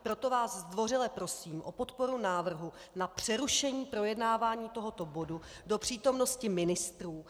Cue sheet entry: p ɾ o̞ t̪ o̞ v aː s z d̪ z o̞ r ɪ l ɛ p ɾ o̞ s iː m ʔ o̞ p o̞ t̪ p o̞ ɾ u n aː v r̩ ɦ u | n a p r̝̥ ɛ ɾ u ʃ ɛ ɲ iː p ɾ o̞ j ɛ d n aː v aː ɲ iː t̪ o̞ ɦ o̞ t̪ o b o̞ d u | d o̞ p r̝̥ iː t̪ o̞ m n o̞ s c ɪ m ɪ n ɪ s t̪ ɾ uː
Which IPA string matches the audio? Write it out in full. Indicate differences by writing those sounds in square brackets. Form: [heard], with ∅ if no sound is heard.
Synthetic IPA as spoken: p ɾ o̞ t̪ o̞ v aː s z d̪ [v] o̞ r ɪ l ɛ p ɾ o̞ s iː m ʔ o̞ p o̞ t̪ p o̞ ɾ u n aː v r̩ ɦ u | n a p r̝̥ ɛ ɾ u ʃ ɛ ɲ iː p ɾ o̞ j ɛ d n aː v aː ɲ iː t̪ o̞ ɦ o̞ t̪ o b o̞ d u | d o̞ p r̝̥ iː t̪ o̞ m n o̞ s c ɪ m ɪ n ɪ s t̪ ɾ uː